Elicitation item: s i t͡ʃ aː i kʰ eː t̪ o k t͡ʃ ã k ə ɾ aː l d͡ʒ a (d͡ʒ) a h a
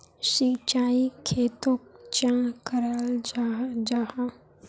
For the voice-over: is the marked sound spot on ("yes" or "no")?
yes